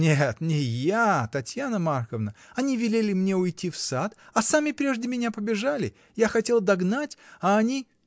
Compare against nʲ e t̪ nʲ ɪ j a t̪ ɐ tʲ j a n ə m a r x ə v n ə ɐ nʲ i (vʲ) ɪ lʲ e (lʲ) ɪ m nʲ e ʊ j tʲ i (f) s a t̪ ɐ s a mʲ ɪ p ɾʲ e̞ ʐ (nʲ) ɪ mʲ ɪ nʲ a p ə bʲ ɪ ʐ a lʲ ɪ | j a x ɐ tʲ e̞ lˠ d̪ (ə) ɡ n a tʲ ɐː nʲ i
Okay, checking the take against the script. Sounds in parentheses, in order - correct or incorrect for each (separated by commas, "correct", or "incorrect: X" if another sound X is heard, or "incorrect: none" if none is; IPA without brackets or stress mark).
correct, correct, correct, incorrect: dʲ, incorrect: ɐ